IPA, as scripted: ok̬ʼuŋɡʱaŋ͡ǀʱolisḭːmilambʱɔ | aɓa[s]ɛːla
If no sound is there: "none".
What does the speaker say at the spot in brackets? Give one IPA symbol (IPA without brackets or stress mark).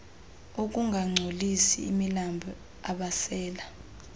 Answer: s